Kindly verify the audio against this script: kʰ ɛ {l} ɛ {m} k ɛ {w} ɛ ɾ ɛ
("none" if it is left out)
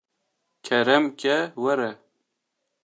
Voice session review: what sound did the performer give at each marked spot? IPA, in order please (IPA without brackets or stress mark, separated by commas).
ɾ, m, w